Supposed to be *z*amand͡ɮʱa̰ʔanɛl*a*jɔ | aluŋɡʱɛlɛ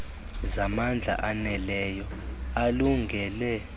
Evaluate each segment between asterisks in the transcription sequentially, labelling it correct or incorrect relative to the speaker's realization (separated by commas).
correct, incorrect